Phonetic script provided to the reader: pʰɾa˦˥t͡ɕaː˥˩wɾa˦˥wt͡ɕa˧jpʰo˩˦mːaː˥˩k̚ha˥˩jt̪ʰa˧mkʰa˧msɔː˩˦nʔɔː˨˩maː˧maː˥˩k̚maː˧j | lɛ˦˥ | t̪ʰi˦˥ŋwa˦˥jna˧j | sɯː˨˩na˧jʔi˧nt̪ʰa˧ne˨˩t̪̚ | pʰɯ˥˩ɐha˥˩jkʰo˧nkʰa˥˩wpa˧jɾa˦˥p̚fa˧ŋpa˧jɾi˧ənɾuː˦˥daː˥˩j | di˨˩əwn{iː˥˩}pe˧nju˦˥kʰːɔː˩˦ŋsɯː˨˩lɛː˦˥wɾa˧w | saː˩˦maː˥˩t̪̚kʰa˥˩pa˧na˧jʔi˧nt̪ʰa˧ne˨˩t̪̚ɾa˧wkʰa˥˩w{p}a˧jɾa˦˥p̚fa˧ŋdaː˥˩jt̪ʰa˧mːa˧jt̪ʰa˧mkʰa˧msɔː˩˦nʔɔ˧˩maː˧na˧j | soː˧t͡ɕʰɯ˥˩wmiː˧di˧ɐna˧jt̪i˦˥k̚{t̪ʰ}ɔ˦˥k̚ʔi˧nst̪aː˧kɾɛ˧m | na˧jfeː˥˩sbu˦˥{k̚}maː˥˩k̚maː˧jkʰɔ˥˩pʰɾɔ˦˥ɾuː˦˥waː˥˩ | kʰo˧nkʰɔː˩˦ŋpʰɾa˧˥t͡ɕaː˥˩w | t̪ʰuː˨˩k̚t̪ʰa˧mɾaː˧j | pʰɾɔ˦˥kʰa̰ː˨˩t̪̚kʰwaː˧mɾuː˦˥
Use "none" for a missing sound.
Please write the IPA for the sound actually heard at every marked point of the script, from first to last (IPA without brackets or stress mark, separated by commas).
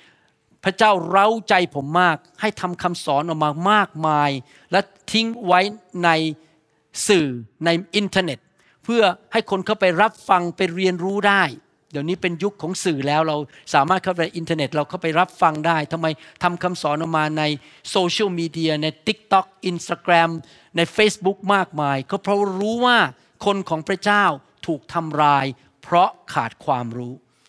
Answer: iː˦˥, p, t̪, k̚